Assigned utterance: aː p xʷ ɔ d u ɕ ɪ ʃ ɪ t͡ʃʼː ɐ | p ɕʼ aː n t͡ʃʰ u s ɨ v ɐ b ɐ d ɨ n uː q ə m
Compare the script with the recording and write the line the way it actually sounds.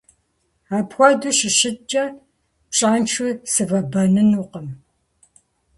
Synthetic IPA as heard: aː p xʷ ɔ d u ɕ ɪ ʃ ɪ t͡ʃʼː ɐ | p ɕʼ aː n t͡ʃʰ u s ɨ v ɐ b ɐ n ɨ n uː q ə m